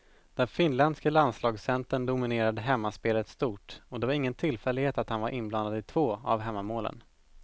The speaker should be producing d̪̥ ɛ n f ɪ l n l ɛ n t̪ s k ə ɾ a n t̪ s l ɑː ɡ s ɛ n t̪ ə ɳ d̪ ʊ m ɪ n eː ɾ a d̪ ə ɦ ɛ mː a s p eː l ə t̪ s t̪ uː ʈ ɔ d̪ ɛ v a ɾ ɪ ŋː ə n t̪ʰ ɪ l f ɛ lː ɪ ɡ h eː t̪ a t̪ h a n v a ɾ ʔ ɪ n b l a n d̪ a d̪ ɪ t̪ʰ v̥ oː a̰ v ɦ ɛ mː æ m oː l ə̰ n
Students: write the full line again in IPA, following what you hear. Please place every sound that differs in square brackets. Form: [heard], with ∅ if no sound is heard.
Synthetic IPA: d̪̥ ɛ n f ɪ [∅] n l ɛ n [d̪] s k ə [l] a n [d̪] s l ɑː ɡ s ɛ n t̪ ə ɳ d̪ ʊ m ɪ n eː ɾ a d̪ ə ɦ ɛ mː a s p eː l ə t̪ s t̪ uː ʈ ɔ d̪ ɛ v a ɾ ɪ ŋː ə n t̪ʰ ɪ l f ɛ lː ɪ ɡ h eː t̪ a t̪ h a n v a ɾ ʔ ɪ n b l a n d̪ a d̪ ɪ t̪ʰ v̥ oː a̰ v ɦ ɛ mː [a] m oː l ə̰ n